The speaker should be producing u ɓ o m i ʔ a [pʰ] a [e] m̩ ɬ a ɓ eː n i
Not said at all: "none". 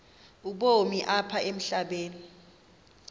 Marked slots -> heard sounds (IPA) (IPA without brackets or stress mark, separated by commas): pʰ, e